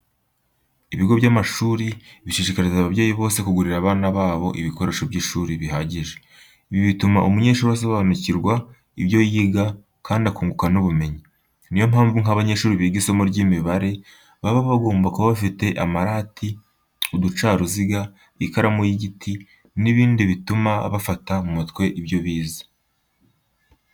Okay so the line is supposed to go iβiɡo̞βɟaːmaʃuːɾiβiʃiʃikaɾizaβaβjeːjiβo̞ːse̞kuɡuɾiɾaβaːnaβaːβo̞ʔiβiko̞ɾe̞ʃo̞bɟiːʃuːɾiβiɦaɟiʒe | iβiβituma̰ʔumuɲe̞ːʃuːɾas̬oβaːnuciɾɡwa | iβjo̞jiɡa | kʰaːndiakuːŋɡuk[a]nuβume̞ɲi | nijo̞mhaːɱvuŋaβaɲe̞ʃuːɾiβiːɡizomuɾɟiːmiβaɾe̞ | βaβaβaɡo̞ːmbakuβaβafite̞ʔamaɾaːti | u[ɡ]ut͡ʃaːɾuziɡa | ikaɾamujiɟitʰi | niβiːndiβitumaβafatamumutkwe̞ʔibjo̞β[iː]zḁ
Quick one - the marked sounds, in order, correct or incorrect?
correct, incorrect: d, correct

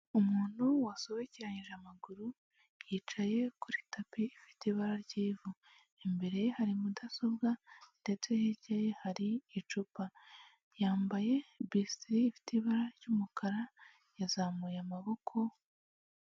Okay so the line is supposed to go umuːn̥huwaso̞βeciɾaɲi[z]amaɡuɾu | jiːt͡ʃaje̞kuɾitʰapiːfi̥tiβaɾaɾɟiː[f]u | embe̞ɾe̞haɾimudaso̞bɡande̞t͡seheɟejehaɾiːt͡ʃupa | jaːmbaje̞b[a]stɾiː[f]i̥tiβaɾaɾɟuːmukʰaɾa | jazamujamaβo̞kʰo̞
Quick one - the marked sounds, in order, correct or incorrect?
incorrect: ʒ, incorrect: v, incorrect: i, correct

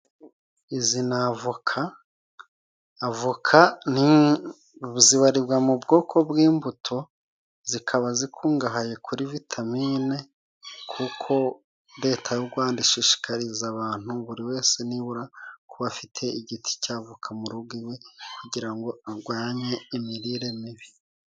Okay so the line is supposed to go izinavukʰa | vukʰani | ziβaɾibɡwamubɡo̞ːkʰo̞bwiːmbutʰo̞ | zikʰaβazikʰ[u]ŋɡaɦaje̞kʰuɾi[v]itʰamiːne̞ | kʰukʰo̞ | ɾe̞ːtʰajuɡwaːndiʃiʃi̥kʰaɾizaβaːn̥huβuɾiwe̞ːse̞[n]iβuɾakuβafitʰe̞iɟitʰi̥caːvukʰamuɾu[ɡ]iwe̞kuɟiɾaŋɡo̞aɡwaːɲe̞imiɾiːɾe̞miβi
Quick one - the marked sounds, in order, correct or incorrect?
incorrect: uː, correct, correct, correct

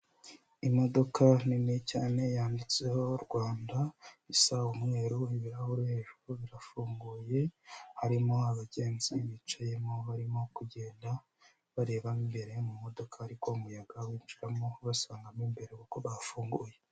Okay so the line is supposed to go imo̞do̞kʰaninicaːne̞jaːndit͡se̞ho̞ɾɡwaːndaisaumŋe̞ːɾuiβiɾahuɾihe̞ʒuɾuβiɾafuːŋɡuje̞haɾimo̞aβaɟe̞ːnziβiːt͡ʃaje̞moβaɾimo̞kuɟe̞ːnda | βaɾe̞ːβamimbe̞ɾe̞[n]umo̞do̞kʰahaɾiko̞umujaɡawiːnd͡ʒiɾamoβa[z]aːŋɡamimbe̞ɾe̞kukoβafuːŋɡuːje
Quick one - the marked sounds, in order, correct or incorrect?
incorrect: m, incorrect: s

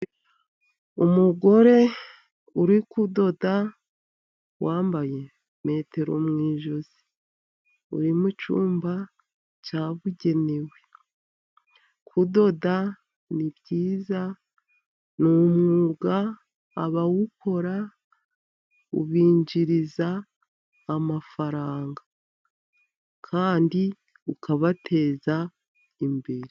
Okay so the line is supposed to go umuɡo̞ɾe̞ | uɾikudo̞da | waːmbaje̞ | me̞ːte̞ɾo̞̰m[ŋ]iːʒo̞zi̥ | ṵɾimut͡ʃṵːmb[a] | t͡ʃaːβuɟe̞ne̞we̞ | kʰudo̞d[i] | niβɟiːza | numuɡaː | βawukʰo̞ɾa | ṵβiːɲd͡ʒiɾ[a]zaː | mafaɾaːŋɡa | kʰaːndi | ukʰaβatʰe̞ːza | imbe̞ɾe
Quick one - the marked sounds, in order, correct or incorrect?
correct, correct, incorrect: a, incorrect: i

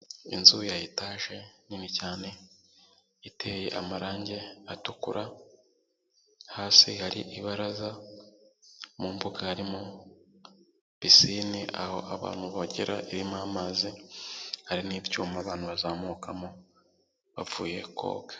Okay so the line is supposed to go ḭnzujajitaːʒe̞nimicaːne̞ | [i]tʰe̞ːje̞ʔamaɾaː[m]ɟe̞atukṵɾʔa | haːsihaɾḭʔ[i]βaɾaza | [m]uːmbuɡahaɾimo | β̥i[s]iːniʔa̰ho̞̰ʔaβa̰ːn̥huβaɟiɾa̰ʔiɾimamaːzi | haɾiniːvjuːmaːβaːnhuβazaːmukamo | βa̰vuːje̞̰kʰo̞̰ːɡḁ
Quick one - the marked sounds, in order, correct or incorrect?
correct, incorrect: ɲ, correct, correct, correct

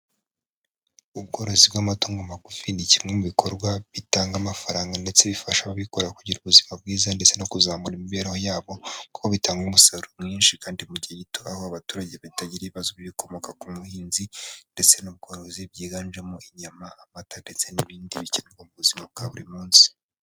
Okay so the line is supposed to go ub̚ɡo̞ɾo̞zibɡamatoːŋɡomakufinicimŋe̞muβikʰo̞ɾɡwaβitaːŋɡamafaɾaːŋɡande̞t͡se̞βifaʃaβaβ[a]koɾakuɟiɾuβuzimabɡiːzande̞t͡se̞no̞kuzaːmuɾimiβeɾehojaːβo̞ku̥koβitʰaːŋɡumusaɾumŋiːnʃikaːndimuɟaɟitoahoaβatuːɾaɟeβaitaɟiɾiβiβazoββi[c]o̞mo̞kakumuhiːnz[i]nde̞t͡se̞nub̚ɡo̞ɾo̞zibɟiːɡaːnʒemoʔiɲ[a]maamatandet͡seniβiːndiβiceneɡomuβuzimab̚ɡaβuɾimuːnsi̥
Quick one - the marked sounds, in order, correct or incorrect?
incorrect: i, incorrect: k, correct, correct

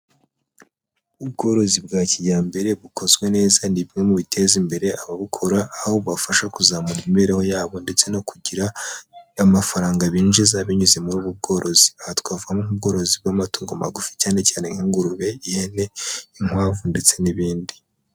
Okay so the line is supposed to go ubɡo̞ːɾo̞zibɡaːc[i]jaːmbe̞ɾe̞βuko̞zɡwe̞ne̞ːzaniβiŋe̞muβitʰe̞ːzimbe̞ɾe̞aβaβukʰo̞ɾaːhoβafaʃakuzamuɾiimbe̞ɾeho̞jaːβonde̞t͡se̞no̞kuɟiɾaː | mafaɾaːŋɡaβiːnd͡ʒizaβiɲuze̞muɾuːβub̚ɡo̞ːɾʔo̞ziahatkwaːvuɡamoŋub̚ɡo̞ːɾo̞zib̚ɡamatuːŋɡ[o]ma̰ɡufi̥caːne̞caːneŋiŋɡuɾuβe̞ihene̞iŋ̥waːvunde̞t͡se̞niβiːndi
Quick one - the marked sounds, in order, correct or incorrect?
correct, correct

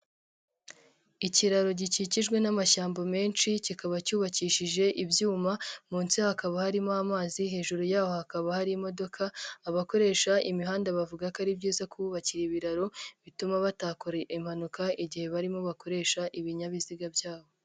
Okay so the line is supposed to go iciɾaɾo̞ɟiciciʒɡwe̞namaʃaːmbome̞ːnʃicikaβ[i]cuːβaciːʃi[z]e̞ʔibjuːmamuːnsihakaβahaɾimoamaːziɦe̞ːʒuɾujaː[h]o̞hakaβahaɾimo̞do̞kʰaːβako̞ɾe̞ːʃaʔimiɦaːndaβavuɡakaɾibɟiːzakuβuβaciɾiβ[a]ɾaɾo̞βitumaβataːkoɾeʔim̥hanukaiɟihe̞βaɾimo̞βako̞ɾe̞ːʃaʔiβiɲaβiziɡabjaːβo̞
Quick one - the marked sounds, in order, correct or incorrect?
incorrect: a, incorrect: ʒ, correct, incorrect: i

